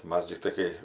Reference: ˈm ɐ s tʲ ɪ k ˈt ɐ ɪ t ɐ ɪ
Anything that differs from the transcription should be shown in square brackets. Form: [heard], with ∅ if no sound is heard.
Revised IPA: ˈm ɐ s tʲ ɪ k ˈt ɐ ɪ [k] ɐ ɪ